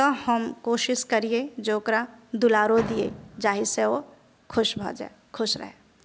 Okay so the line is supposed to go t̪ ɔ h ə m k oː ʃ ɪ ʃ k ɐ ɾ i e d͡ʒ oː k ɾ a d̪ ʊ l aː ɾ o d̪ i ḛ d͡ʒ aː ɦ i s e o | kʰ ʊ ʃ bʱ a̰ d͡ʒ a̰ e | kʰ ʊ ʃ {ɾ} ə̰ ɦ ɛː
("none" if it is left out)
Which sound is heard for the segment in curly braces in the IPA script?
ɾ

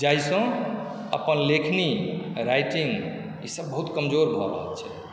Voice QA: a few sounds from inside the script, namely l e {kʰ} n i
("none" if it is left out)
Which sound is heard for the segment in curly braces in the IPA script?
kʰ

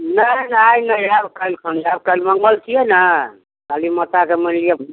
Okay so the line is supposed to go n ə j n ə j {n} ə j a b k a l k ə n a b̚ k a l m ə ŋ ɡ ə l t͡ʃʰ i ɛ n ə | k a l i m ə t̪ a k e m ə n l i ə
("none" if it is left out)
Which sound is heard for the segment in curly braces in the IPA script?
n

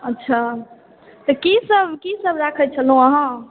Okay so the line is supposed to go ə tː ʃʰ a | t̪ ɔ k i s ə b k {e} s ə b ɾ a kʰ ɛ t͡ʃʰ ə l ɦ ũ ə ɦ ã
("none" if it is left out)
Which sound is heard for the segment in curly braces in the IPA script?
i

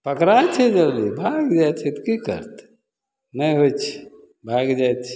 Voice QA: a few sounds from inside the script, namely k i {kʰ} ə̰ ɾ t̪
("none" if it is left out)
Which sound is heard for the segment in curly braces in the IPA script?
k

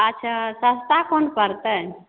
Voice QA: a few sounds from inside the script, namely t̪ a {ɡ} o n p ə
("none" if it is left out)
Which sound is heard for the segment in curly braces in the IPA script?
k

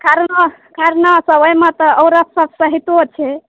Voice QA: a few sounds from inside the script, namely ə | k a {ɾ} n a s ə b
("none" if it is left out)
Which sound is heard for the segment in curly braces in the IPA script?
ɾ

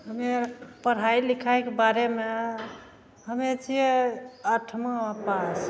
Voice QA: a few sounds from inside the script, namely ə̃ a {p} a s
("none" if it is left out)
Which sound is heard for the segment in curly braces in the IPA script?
p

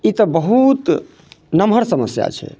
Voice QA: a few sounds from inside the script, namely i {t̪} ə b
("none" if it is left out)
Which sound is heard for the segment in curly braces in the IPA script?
t̪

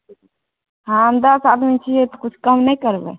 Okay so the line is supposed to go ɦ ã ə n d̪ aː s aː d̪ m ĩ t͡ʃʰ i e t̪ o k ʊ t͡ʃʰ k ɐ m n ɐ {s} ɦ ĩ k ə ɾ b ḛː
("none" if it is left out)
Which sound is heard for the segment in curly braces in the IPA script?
none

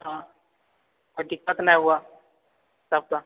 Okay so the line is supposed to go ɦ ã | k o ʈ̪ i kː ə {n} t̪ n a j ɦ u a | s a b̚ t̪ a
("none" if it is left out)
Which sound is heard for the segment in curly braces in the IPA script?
none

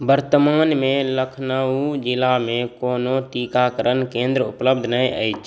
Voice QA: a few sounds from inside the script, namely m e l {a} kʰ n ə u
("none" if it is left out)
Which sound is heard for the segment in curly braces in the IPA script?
ə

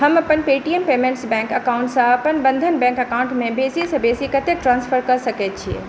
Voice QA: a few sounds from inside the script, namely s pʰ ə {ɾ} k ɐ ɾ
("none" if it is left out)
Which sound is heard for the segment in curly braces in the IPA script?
ɾ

